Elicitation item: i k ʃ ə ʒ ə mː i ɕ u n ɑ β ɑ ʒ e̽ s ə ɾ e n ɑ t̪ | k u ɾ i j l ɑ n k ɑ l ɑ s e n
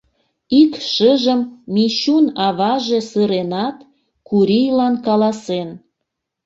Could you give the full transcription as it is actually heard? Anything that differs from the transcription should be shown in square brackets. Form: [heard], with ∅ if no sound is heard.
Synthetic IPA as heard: i k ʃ ə ʒ ə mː i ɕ u n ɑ β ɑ ʒ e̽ s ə ɾ e n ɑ t̪ | k u ɾ i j l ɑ n k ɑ l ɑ s e n